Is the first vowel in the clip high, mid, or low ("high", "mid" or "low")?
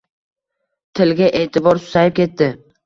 high